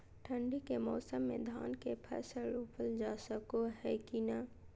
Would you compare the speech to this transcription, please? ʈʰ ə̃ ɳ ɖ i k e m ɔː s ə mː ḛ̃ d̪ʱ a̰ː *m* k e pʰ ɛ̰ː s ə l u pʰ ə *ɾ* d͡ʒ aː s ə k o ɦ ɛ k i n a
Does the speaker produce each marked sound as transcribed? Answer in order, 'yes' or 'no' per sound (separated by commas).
no, no